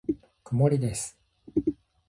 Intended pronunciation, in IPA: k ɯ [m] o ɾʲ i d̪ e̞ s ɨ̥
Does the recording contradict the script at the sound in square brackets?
no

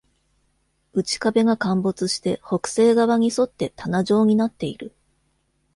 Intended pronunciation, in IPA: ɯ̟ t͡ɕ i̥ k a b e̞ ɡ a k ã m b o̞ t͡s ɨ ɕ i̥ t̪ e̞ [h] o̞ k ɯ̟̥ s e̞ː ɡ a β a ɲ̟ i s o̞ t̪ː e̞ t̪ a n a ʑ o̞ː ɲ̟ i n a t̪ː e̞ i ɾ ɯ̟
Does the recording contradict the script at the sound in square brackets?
no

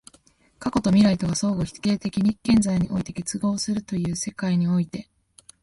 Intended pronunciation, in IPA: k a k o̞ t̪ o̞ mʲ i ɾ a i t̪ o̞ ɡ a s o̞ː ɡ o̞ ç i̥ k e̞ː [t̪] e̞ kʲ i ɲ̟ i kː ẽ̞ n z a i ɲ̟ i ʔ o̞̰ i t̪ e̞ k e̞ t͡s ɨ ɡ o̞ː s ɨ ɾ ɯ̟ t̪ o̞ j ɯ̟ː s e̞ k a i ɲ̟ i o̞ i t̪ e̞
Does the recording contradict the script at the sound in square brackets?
no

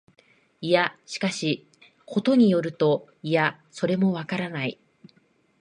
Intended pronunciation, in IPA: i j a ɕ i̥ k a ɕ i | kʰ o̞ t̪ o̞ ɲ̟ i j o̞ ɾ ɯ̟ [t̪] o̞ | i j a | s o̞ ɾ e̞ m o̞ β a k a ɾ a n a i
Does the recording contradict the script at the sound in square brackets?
no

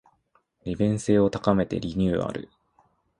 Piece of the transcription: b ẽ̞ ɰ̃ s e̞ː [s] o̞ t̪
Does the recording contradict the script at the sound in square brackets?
yes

